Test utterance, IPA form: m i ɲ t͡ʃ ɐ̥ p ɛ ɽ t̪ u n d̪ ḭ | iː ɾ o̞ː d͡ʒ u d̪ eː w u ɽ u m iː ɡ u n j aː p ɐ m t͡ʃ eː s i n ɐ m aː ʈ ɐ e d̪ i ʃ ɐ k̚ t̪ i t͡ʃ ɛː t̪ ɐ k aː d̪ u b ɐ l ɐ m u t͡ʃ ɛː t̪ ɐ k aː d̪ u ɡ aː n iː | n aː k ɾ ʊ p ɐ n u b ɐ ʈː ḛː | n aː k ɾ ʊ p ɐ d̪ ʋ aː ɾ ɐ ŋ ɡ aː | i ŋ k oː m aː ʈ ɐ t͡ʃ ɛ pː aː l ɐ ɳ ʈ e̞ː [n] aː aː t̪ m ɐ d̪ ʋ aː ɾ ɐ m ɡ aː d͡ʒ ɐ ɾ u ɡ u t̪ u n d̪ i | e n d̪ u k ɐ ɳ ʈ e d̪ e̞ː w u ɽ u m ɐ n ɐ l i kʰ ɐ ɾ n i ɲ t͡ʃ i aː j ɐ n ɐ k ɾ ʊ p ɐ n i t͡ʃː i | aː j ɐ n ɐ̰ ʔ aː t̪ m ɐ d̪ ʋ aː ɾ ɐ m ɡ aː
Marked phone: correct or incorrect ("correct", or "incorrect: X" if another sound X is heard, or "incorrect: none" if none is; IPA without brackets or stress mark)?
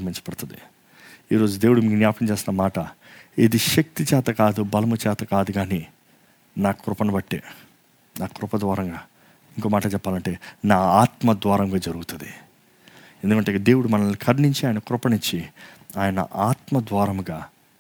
correct